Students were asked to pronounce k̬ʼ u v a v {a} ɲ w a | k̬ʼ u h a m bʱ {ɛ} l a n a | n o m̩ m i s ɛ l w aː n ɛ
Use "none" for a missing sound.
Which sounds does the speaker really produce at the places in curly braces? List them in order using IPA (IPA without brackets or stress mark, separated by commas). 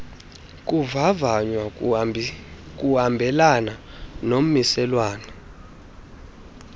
a, ɛ